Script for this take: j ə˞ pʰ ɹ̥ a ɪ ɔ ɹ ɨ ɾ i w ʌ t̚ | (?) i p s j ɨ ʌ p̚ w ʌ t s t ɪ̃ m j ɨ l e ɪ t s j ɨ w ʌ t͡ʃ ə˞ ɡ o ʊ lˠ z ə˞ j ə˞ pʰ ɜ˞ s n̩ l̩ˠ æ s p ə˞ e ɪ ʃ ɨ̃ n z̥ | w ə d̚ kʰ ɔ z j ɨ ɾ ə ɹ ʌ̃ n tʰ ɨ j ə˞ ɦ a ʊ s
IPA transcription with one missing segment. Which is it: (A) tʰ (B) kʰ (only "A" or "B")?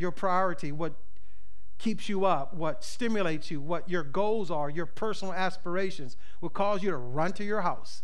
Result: B